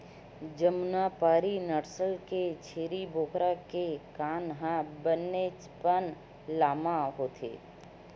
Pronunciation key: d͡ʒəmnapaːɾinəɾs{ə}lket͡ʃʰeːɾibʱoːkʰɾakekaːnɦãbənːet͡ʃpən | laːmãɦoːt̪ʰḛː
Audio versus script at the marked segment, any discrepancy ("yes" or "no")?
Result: no